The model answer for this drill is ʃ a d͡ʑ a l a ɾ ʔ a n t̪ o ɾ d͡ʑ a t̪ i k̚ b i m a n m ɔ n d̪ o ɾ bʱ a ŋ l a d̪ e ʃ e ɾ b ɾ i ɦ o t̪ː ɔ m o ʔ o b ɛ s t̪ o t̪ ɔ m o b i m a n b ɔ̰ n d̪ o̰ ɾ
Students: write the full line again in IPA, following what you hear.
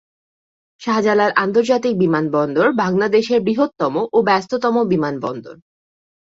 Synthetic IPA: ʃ a d͡ʑ a l a ɾ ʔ a n t̪ o ɾ d͡ʑ a t̪ i k̚ b i m a n b ɔ n d̪ o ɾ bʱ a ŋ l a d̪ e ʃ e ɾ b ɾ i ɦ o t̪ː ɔ m o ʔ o b ɛ s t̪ o t̪ ɔ m o b i m a n b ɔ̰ n d̪ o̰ ɾ